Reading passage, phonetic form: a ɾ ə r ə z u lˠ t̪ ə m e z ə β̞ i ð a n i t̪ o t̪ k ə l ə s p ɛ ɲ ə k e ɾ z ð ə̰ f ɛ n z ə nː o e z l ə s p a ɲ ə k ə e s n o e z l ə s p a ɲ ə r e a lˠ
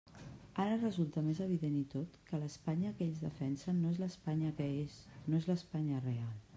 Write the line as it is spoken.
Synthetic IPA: a ɾ ə r ə z u lˠ t̪ ə m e z ə β̞ i ð e n i t̪ o t̪ k ə l ə s p a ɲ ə k e ʎ z ð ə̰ f ɛ n s ə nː o e z l ə s p a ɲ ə k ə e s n o e z l ə s p a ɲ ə r e a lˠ

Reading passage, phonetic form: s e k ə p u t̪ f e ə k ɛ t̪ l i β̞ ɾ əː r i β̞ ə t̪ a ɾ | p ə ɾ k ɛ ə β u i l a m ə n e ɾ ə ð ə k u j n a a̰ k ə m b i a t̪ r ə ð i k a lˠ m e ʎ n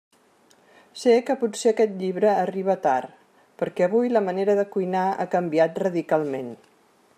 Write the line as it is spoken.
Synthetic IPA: s e k ə p u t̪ s e ə k ɛ t̪ ʎ i β̞ ɾ əː r i β̞ ə t̪ a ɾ | p ə ɾ k ɛ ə β u j l ə m ə n e ɾ ə ð ə k u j n a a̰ k ə m b i a t̪ r ə ð i k a lˠ m e n

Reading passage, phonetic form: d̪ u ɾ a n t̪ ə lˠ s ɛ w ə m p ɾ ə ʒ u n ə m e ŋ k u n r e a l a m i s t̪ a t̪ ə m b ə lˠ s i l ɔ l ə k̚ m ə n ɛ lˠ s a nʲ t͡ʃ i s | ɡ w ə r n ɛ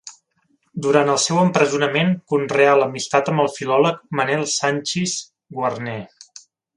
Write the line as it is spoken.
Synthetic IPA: d̪ u ɾ a n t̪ ə lˠ s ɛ w ə m p ɾ ə z u n ə m e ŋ k u n r e a l ə m i s t̪ a t̪ ə m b ə lˠ f i l ɔ l ə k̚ m ə n ɛ lˠ s a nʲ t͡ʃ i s | ɡ w ə r n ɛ

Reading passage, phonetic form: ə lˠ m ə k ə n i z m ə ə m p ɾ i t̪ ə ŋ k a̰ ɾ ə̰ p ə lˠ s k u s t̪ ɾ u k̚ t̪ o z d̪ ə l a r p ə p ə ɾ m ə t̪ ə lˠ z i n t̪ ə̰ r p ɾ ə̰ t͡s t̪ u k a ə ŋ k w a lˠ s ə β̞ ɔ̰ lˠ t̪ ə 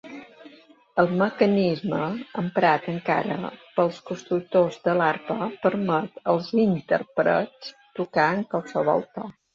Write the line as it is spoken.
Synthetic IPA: ə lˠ m ə k ə n i z m ə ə m p ɾ a t̪ ə ŋ k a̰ ɾ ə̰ p ə lˠ s k u s t̪ ɾ u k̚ t̪ o z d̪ ə l a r p ə p ə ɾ m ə t̪ ə lˠ z i n t̪ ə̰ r p ɾ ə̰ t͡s t̪ u k a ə ŋ k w a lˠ s ə β̞ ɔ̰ lˠ t̪ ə

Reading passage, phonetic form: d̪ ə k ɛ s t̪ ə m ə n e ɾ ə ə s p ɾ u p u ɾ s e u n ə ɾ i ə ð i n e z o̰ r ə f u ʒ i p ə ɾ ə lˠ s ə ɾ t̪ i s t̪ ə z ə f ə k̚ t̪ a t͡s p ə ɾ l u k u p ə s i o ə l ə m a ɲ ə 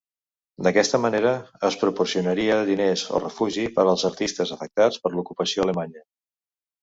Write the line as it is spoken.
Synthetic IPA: d̪ ə k ɛ s t̪ ə m ə n e ɾ ə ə s p ɾ u p u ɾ s i u n ə ɾ i ə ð i n e z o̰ r ə f u ʒ i p ə ɾ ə lˠ z ə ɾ t̪ i s t̪ ə z ə f ə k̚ t̪ a t͡s p ə ɾ l u k u p ə s i o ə l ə m a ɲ ə

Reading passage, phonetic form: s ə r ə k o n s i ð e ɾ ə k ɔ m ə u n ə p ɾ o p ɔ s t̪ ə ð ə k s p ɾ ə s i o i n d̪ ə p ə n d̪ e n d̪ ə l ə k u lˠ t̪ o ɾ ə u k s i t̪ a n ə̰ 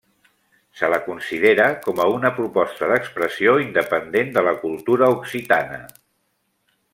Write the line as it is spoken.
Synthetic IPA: s ə l ə k u n s i ð e ɾ ə k ɔ m ə u n ə p ɾ u p ɔ s t̪ ə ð ə k s p ɾ ə s i o i n d̪ ə p ə n d̪ e n d̪ ə l ə k u lˠ t̪ u ɾ ə u k s i t̪ a n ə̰

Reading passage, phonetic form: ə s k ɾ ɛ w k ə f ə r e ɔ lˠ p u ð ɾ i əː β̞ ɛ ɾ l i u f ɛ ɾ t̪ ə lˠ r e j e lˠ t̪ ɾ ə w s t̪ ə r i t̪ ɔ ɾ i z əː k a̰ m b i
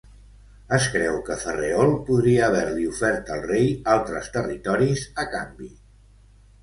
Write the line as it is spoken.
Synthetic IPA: ə s k ɾ ɛ w k ə f ə r e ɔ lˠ p u ð ɾ i əː β̞ ɛ ɾ l i u f ɛ ɾ t̪ ə lˠ r e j a lˠ t̪ ɾ ə s t̪ ə r i t̪ ɔ ɾ i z ə k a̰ m b i

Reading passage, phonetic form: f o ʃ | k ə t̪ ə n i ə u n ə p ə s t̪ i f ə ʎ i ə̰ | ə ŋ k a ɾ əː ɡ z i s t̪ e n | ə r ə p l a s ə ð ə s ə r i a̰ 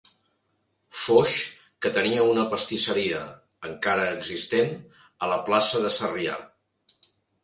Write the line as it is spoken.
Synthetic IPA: f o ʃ | k ə t̪ ə n i ə u n ə p ə s t̪ i s ə ɾ i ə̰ | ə ŋ k a ɾ əː ɡ z i s t̪ e n | ə l ə p l a s ə ð ə s ə r i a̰

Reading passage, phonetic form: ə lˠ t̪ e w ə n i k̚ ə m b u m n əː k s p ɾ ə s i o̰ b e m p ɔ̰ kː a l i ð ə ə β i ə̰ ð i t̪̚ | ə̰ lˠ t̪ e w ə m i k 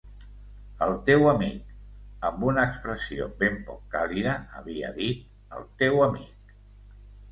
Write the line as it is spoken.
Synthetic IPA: ə lˠ t̪ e w ə m i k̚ ə m b u n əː k s p ɾ ə s i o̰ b e m p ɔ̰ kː a l i ð ə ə β i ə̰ ð i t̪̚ | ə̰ lˠ t̪ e w ə m i k

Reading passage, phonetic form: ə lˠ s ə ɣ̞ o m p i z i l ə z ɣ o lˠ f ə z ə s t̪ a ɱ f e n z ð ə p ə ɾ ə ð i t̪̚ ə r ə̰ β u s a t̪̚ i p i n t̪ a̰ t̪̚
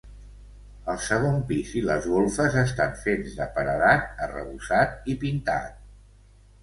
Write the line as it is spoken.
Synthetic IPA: ə lˠ s ə ɣ̞ o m p i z i l ə z ɣ o lˠ f ə z ə s t̪ a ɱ f e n z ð ə p ə ɾ ə ð a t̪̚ ə r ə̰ β u s a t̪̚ i p i n t̪ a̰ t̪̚

